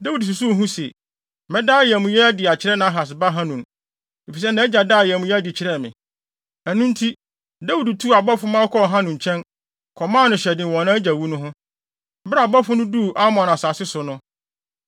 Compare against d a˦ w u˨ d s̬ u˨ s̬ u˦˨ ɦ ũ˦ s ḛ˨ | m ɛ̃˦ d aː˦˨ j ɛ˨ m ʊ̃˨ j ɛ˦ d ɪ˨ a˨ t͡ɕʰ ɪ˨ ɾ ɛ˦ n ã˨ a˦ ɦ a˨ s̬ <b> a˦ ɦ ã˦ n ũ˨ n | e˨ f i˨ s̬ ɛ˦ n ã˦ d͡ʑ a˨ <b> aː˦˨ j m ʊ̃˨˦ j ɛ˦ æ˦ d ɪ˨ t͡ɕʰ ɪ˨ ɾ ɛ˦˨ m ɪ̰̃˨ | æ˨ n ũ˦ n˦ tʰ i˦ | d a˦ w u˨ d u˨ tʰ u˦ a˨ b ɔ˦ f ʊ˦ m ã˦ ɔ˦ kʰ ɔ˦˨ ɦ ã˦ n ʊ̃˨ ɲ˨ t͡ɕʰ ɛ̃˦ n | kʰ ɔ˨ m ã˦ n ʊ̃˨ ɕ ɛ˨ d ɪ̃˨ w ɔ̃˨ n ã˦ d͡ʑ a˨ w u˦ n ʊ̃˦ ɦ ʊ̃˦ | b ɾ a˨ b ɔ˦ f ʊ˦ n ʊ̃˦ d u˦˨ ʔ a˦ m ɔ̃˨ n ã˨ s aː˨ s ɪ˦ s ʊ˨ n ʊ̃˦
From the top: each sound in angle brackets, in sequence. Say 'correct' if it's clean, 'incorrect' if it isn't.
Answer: correct, incorrect: d

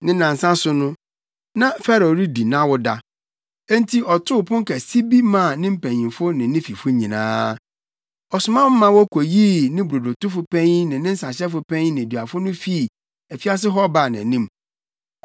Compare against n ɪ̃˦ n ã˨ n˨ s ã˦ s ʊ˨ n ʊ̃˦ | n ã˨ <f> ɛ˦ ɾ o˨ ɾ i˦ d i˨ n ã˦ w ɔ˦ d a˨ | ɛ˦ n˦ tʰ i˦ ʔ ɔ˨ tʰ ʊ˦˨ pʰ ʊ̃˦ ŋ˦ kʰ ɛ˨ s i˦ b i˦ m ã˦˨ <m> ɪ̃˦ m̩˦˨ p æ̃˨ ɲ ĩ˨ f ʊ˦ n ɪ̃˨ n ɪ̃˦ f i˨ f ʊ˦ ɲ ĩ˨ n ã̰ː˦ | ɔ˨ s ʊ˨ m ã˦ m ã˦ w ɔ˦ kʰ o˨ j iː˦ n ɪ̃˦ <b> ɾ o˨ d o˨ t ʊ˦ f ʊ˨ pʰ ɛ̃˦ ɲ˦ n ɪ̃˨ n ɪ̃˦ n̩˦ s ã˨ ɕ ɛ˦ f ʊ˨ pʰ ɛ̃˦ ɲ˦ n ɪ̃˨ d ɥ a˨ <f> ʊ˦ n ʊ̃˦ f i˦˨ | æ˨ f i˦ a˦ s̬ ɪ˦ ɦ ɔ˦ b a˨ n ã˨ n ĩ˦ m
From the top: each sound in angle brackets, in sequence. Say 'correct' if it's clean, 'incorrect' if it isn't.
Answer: correct, incorrect: n, correct, correct

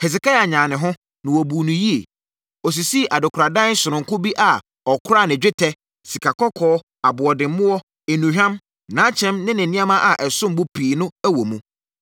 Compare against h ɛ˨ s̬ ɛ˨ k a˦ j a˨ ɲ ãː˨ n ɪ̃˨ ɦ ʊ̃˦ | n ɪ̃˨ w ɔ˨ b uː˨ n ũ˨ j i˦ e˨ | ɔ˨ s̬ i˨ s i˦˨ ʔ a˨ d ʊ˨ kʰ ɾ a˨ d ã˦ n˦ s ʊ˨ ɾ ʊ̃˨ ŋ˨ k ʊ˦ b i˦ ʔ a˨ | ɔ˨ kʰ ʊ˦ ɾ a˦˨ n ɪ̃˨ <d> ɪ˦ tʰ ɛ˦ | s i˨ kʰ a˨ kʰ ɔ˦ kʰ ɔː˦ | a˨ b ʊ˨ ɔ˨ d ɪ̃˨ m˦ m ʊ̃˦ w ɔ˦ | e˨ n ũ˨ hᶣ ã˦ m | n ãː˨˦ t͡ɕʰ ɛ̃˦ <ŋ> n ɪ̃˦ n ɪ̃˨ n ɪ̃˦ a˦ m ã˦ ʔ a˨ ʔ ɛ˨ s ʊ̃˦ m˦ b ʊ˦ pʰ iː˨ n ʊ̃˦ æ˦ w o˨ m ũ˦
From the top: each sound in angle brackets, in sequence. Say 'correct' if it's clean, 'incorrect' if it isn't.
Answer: incorrect: d͡ʑᶣ, incorrect: m

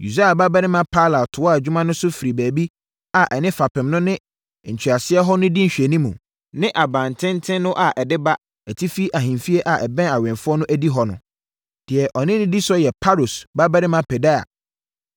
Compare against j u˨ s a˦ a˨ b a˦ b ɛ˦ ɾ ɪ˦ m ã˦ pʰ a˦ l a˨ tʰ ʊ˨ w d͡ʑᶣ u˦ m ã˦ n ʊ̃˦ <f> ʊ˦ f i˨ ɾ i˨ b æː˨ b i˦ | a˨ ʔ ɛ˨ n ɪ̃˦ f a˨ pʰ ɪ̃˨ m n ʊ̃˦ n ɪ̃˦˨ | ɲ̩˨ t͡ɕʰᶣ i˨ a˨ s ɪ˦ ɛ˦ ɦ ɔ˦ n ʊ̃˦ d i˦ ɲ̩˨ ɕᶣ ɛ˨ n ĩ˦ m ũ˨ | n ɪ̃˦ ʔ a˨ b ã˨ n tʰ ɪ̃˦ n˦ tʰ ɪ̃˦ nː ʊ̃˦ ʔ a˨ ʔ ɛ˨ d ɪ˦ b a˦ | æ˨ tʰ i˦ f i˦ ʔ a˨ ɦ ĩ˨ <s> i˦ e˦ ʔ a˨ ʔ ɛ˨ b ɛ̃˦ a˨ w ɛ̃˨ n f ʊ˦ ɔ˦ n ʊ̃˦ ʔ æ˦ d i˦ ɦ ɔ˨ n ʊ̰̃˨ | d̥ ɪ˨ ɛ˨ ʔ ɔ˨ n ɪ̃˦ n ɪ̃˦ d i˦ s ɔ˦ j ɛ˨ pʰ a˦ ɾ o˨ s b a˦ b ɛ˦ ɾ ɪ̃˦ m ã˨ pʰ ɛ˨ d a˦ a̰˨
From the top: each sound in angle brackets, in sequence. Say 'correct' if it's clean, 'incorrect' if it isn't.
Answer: incorrect: s, incorrect: f

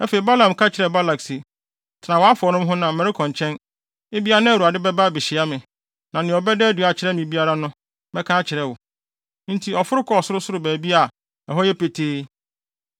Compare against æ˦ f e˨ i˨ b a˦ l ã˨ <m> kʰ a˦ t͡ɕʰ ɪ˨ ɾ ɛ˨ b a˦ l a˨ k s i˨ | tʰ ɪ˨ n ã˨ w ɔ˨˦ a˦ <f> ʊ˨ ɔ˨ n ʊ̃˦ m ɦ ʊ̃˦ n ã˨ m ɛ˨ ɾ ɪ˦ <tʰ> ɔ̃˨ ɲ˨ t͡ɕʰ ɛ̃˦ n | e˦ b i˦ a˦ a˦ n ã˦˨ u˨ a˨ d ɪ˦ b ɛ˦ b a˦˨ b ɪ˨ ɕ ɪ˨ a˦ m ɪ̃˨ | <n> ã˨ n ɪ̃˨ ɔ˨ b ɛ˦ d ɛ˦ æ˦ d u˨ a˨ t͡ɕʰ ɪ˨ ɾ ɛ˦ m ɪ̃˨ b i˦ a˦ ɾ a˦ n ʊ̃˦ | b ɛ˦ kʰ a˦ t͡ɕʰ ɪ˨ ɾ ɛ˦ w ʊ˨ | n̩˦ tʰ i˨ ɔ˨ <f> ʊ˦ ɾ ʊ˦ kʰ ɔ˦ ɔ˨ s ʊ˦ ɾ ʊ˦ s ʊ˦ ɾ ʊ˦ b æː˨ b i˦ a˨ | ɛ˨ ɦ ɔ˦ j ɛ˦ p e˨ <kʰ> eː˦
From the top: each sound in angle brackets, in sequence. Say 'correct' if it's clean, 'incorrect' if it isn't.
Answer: correct, correct, incorrect: kʰ, correct, correct, incorrect: tʰ

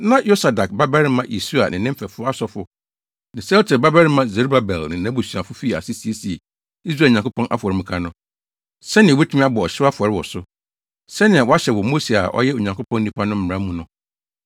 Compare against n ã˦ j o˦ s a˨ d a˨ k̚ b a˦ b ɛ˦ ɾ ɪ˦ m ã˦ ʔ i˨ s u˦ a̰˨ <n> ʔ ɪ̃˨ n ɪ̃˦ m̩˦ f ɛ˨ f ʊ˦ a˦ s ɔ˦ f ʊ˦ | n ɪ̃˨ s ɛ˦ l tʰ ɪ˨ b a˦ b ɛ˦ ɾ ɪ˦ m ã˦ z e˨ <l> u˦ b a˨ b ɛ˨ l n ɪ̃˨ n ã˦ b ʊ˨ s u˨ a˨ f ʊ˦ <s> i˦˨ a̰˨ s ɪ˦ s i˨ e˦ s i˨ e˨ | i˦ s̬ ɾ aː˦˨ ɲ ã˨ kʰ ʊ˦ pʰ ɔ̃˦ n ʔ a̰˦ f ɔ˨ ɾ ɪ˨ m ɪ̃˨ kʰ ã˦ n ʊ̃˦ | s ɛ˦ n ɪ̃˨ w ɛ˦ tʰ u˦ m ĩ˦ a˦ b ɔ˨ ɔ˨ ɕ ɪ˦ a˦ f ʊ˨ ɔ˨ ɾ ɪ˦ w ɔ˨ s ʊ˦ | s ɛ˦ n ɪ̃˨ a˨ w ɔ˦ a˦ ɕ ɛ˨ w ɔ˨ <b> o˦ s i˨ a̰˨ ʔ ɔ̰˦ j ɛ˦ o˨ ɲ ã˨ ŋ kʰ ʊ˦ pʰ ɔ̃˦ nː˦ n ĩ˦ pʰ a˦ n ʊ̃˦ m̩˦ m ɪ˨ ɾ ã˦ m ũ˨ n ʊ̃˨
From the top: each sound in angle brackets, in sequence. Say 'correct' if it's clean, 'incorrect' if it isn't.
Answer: correct, incorrect: ɾ, incorrect: f, incorrect: m

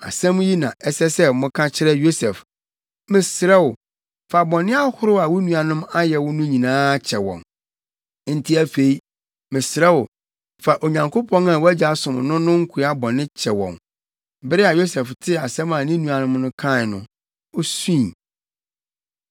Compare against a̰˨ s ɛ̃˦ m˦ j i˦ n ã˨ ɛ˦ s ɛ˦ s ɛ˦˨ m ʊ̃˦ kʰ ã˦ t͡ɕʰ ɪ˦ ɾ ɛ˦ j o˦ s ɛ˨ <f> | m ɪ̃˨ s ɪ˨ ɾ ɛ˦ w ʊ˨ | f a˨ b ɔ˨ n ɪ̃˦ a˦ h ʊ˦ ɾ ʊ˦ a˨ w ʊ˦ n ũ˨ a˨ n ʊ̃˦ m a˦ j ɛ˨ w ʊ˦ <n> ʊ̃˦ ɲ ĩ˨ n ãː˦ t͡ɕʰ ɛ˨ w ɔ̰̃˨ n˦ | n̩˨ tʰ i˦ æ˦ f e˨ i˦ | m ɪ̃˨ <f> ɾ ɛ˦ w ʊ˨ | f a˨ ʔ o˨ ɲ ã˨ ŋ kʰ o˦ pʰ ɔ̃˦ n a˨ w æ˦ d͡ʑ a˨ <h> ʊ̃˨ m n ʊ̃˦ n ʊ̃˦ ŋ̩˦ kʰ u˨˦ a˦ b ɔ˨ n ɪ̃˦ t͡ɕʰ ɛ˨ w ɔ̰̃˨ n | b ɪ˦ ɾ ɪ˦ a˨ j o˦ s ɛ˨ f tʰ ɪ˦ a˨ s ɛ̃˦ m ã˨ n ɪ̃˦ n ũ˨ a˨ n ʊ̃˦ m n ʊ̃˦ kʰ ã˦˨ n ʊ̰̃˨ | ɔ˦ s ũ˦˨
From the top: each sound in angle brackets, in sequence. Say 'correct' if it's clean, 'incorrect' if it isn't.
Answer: correct, correct, incorrect: s, incorrect: s

